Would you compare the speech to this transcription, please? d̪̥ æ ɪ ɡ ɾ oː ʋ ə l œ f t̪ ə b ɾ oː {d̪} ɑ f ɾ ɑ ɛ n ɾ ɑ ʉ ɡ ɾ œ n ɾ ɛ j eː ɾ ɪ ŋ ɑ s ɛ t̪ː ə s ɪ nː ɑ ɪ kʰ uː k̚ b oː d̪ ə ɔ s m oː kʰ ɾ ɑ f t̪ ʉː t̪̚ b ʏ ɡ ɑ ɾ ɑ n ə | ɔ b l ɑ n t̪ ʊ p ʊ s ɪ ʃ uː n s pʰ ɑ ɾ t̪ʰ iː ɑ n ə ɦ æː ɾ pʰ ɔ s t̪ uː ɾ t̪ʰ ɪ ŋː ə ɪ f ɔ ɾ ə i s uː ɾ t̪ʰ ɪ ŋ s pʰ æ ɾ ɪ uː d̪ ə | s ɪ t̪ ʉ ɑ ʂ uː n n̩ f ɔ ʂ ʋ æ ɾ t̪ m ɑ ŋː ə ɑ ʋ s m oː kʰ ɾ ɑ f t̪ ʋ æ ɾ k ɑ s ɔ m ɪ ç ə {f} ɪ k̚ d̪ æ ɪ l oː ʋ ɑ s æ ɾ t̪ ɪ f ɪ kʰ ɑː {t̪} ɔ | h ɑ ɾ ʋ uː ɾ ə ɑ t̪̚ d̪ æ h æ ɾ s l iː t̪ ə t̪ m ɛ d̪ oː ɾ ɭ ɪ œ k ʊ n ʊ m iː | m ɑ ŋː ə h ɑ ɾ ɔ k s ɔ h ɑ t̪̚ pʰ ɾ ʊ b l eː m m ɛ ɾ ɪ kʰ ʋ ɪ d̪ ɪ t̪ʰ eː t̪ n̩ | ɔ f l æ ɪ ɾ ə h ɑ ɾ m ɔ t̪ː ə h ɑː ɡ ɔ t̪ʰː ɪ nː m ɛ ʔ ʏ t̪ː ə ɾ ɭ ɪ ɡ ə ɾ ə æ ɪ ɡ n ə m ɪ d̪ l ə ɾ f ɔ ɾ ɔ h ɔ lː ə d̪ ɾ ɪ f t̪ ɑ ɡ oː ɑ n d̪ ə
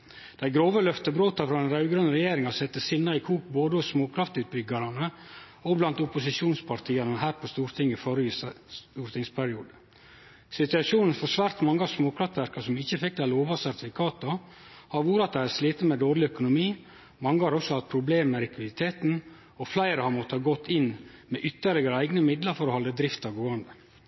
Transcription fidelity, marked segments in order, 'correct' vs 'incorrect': incorrect: t̪, correct, correct

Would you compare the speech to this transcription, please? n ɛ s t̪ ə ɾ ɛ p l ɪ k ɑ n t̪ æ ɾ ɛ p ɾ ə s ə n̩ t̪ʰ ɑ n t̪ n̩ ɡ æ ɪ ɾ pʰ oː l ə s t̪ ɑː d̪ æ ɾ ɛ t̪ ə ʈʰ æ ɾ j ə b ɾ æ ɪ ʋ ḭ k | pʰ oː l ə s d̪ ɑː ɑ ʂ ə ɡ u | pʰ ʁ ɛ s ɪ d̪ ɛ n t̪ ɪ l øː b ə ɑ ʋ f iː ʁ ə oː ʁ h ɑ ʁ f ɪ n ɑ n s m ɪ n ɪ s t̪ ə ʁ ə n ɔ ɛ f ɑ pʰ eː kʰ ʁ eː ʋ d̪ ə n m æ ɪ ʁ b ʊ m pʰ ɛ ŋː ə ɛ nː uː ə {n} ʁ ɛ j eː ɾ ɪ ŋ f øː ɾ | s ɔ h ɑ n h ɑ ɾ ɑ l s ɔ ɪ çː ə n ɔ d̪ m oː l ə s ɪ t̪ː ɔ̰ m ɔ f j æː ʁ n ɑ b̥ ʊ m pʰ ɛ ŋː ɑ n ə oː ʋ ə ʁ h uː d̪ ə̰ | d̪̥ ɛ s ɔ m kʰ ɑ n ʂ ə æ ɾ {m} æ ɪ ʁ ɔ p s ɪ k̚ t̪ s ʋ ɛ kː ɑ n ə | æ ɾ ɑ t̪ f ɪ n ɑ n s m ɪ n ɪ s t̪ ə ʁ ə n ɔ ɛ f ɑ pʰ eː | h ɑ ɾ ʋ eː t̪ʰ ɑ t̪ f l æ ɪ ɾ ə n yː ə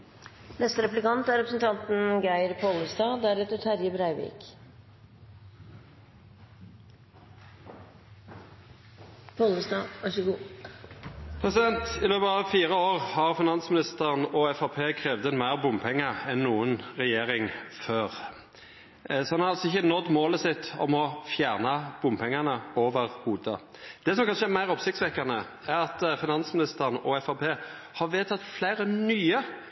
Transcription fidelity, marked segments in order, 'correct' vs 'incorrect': correct, correct

